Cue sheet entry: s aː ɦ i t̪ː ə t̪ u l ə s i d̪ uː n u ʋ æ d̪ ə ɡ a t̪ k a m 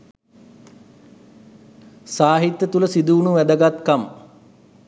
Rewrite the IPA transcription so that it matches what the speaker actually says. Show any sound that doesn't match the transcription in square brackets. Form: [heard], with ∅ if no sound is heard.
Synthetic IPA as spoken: s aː ɦ i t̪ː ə t̪ u l ə s i d̪ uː n u ʋ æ d̪ ə ɡ a t̪ k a m